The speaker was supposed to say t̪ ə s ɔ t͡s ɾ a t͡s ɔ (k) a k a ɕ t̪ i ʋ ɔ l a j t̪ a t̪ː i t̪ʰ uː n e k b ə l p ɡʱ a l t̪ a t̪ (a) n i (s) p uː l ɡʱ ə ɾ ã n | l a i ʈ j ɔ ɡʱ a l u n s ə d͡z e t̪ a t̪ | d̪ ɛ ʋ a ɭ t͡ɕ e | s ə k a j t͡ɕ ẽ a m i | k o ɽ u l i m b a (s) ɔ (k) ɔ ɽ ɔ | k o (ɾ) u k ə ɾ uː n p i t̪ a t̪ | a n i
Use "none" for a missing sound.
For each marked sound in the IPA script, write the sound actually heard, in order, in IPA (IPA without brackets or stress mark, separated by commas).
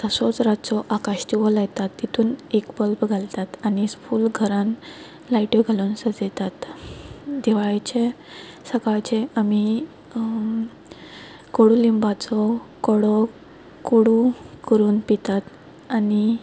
ʔ, a, s, t͡s, k, ɽ